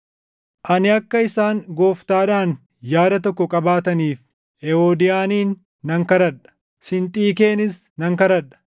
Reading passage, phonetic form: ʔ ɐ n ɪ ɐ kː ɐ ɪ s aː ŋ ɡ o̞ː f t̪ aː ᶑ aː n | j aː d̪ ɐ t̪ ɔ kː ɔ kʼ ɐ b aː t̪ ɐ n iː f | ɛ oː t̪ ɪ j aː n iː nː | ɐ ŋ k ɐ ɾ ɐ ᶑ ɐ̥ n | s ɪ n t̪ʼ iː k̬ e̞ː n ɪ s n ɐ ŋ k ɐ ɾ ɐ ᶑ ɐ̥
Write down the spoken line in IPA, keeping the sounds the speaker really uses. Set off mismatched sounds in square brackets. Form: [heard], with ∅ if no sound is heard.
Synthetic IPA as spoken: ʔ ɐ n ɪ ɐ kː ɐ ɪ s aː ŋ ɡ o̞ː f t̪ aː ᶑ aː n | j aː d̪ ɐ t̪ ɔ kː ɔ kʼ ɐ b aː t̪ ɐ n iː f | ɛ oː [d̪] ɪ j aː n iː nː | ɐ ŋ k ɐ ɾ ɐ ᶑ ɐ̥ [∅] | s ɪ n t̪ʼ iː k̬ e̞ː n ɪ s n ɐ ŋ k ɐ ɾ ɐ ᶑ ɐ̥